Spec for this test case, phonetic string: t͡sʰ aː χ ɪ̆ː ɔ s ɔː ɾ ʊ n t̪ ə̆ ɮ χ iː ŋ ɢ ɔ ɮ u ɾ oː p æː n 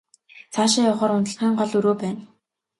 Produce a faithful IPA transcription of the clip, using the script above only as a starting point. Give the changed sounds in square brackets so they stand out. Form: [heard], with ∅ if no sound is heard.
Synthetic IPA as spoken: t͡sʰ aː [ʃ] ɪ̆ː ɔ [χ] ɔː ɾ ʊ n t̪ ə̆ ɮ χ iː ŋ ɢ ɔ ɮ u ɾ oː p æː n